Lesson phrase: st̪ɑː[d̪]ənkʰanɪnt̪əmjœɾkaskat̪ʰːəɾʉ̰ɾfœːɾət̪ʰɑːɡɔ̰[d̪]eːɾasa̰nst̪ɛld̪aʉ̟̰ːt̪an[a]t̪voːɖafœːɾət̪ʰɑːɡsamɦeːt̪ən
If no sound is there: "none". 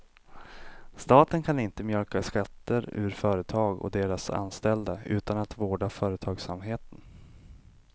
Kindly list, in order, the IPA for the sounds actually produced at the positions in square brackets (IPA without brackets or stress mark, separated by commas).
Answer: t̪, d̪, a